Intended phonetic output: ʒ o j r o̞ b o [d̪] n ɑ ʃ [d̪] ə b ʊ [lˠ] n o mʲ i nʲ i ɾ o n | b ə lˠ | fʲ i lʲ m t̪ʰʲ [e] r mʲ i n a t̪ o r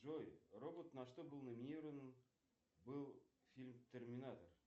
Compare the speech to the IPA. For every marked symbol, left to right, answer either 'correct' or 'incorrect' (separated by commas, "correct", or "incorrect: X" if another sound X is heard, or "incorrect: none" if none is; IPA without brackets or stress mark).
incorrect: t̪, incorrect: t̪, correct, correct